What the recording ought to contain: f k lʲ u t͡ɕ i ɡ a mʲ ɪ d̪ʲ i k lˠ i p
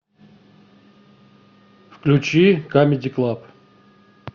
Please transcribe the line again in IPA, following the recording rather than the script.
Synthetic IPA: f k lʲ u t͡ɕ i k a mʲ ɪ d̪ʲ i k lˠ a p